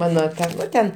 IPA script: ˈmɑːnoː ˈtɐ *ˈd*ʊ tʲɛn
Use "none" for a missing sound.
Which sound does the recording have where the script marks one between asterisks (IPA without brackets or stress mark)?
n